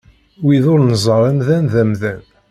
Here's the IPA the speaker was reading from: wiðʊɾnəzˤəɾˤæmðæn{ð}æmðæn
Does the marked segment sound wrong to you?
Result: no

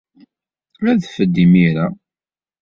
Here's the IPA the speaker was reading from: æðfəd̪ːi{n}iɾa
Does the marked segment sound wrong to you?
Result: yes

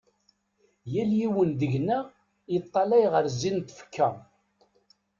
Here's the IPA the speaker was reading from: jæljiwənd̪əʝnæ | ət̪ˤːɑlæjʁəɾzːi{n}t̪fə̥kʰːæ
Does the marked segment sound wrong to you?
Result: no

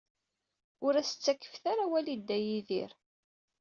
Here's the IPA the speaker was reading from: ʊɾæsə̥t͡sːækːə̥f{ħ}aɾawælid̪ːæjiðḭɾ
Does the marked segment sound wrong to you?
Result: yes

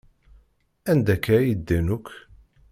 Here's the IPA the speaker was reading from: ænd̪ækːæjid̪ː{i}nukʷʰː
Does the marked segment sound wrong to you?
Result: yes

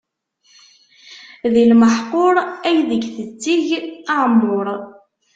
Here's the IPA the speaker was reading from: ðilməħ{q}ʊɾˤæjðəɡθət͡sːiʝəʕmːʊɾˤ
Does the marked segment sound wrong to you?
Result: no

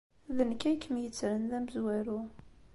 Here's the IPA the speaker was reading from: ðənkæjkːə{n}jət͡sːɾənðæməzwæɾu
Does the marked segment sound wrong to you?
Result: yes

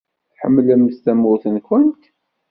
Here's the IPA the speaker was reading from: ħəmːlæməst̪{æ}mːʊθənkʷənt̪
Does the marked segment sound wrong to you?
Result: no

